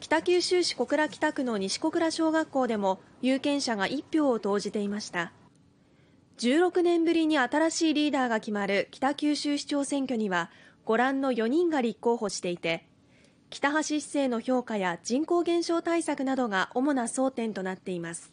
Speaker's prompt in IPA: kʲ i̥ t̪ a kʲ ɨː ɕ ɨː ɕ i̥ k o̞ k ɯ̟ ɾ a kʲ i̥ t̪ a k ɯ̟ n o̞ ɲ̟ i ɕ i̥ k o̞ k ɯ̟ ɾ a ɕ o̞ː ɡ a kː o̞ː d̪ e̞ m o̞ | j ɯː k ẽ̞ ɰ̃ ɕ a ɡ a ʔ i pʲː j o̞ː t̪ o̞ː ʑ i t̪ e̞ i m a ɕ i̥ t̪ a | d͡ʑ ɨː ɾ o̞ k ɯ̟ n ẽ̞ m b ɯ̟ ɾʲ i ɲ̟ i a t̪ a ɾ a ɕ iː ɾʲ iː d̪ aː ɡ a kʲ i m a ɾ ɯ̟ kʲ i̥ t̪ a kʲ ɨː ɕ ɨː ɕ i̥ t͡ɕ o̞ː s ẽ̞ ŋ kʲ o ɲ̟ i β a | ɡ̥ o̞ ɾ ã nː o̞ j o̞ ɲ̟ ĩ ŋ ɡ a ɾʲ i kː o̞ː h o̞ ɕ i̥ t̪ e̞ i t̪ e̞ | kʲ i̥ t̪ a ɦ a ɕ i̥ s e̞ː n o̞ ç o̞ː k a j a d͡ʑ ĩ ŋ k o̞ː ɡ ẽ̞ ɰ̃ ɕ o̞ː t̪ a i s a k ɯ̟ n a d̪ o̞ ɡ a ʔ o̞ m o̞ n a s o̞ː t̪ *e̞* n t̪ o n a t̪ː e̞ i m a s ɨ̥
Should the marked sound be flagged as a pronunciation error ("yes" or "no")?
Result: yes